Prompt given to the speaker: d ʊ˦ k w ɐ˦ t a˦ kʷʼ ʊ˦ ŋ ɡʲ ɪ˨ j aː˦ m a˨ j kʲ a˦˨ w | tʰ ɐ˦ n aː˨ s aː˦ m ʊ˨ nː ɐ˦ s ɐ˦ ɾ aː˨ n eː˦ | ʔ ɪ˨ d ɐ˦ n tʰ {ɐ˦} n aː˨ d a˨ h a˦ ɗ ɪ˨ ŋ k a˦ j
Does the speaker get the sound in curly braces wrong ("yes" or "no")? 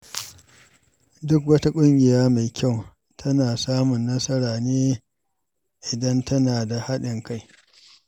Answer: no